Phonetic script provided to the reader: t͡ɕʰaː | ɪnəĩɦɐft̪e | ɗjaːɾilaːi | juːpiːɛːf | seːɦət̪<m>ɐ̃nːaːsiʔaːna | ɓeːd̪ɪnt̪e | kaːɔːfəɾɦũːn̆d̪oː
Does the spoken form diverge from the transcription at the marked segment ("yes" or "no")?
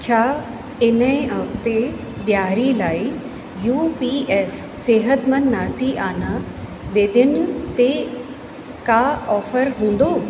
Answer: no